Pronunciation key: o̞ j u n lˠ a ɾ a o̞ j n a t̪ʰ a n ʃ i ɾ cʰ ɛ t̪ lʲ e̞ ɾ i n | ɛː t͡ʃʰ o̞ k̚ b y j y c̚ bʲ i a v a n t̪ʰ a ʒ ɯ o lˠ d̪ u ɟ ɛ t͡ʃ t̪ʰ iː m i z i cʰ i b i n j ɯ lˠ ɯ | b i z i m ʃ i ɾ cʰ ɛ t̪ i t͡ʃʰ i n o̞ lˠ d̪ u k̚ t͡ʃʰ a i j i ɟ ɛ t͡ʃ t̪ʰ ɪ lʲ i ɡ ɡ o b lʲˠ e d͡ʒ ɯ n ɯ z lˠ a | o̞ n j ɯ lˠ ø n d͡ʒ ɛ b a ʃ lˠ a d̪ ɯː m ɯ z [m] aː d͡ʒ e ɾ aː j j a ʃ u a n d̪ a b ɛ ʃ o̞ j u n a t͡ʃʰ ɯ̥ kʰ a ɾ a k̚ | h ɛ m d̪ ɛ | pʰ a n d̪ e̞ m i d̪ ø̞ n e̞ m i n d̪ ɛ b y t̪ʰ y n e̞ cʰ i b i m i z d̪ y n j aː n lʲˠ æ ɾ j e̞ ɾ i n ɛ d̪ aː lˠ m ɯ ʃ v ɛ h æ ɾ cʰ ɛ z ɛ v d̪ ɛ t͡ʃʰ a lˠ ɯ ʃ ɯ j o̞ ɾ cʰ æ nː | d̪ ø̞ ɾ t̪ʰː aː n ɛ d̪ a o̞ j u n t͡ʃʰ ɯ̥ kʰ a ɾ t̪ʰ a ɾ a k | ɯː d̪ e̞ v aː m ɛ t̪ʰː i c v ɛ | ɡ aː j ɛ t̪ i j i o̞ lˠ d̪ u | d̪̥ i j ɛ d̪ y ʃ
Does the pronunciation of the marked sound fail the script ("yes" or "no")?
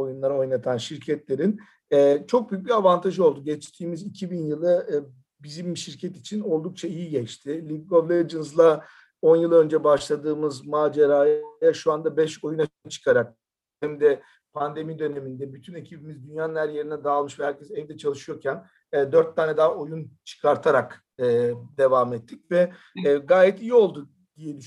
no